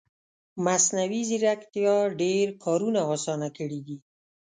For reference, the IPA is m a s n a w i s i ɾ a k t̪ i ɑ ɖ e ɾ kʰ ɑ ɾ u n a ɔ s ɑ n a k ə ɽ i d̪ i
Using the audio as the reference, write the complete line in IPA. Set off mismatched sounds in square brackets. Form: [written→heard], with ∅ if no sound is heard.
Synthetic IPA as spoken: m a s n a w i [s→z] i ɾ a k t̪ [i→j] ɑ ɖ e ɾ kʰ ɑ ɾ u n a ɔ s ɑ n a k ə ɽ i d̪ i